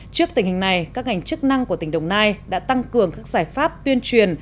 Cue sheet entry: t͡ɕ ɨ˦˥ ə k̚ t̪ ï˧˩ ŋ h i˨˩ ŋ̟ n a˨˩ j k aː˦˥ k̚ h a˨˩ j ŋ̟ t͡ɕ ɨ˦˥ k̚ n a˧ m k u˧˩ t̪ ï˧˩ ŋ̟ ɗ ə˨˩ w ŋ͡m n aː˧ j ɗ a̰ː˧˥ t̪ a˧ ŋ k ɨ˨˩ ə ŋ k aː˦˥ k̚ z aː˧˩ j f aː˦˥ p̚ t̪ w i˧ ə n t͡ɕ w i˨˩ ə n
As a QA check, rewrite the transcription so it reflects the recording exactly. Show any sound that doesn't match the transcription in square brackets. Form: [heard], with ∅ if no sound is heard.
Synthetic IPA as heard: t͡ɕ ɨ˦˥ ə k̚ t̪ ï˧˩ ŋ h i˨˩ ŋ̟ n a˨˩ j k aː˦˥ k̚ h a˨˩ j ŋ̟ t͡ɕ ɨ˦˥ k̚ n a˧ [ŋ] k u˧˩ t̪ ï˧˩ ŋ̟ ɗ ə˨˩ w ŋ͡m n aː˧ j ɗ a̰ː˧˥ t̪ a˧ ŋ k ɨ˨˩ ə ŋ k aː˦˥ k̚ z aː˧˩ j f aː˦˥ p̚ t̪ w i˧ ə n t͡ɕ w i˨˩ ə n